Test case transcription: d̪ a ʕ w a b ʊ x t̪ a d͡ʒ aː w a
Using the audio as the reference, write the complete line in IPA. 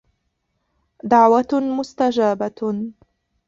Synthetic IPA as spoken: d̪ a ʕ w a m ʊ s t̪ a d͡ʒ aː b a